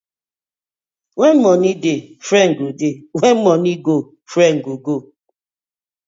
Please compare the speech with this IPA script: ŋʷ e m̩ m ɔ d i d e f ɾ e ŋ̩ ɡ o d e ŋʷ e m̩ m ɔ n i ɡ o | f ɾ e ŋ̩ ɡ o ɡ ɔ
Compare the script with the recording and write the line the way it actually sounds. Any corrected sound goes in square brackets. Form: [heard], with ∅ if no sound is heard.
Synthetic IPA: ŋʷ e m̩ m ɔ [n] i d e f ɾ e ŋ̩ ɡ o d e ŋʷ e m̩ m ɔ n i ɡ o | f ɾ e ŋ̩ ɡ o ɡ [o]